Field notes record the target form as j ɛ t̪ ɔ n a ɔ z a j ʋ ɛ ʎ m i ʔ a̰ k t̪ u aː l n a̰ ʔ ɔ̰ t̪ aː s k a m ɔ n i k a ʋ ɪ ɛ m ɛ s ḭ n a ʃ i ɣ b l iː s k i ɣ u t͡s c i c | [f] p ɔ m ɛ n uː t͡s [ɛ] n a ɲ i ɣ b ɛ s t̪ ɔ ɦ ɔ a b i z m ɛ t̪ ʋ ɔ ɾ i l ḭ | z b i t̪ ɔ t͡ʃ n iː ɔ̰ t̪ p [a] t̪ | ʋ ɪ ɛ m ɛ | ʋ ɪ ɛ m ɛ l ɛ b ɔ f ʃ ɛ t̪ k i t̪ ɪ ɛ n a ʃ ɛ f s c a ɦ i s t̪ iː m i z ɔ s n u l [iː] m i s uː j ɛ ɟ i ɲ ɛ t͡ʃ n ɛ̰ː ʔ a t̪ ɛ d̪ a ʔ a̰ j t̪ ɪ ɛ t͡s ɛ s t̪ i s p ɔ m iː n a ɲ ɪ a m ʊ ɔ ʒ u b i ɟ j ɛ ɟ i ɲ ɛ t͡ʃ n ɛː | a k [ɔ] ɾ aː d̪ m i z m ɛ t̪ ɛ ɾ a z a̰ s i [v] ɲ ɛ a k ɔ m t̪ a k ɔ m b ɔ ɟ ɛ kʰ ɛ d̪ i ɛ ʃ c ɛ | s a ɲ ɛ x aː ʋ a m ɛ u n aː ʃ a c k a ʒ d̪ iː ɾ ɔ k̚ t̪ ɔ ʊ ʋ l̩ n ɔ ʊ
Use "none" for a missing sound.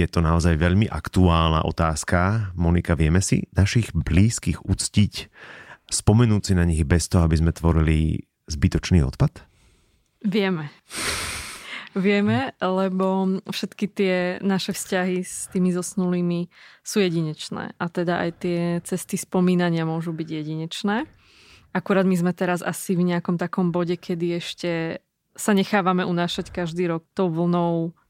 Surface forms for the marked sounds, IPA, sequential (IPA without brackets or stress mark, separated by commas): s, i, a, iː, u, v